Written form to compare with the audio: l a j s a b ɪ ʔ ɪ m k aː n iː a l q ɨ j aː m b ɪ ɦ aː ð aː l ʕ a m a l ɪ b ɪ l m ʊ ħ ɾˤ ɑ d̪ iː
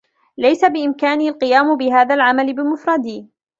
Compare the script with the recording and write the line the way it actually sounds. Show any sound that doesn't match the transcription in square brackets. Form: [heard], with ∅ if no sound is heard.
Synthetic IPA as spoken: l a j s a b ɪ ʔ ɪ m k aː n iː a l q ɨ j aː m b ɪ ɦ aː ð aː l ʕ a m a l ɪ b ɪ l m ʊ [f] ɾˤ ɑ d̪ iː